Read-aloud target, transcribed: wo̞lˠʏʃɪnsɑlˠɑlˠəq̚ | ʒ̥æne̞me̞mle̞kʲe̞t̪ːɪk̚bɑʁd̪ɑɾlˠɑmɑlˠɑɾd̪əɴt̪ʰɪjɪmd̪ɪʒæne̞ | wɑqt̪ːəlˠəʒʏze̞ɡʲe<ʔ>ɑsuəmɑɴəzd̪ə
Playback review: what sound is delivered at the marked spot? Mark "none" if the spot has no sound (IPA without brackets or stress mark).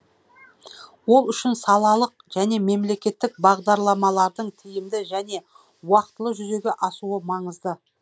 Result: ʔ